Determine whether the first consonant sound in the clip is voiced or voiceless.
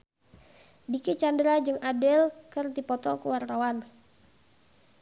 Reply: voiced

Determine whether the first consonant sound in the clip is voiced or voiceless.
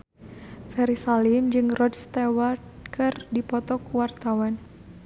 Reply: voiceless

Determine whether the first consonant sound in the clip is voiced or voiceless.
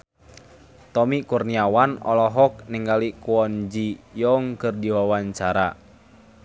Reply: voiceless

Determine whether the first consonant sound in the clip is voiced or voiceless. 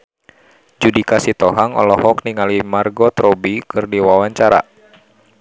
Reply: voiced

